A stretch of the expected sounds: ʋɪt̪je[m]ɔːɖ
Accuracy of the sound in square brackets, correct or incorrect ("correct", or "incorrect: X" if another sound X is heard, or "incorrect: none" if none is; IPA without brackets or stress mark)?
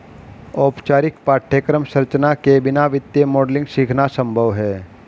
correct